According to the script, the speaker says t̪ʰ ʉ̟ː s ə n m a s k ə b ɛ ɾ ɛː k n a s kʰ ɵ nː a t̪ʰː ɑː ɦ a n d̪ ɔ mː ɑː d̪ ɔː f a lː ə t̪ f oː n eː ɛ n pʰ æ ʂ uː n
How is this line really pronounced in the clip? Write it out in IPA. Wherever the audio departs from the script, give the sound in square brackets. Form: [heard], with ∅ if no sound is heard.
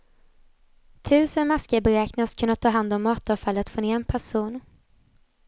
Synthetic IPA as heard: t̪ʰ ʉ̟ː s ə n m a s k ə b ɛ ɾ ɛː k n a s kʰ ɵ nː a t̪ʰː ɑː ɦ a n d̪ ɔ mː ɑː [t̪] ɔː f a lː ə t̪ f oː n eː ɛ n pʰ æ ʂ uː n